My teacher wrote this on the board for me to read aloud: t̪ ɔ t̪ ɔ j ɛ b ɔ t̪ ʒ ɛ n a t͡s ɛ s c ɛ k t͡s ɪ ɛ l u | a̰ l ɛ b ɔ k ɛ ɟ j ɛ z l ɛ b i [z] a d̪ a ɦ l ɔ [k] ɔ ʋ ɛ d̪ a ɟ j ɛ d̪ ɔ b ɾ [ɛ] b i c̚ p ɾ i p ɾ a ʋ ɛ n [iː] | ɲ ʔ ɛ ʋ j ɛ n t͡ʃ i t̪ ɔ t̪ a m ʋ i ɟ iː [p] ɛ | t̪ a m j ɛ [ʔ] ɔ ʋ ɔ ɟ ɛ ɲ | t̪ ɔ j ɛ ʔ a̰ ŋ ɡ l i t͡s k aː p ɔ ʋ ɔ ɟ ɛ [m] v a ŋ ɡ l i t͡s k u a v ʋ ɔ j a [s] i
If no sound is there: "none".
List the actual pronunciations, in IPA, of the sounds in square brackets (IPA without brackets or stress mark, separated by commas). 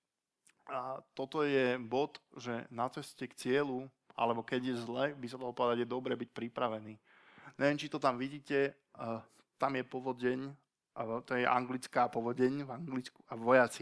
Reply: s, p, ɛ, iː, c, p, ɲ, t͡s